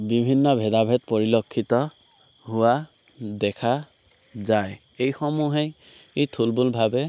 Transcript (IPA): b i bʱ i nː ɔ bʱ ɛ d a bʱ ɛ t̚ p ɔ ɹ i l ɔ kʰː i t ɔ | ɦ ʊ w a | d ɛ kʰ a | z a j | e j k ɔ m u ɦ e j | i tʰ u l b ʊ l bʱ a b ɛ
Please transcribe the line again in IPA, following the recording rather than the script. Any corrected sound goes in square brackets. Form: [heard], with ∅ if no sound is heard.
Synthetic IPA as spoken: b i bʱ i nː ɔ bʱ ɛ d a bʱ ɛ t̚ p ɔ ɹ i l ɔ kʰː i t ɔ | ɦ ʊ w a | d ɛ kʰ a | z a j | e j [x] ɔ m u ɦ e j | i tʰ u l b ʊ l bʱ a b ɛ